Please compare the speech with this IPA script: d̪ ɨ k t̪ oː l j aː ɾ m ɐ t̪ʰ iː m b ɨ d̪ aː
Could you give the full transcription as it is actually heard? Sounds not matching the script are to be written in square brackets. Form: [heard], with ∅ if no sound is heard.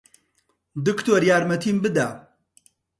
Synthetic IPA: d̪ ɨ k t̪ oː [ɾ] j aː ɾ m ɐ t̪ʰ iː m b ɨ d̪ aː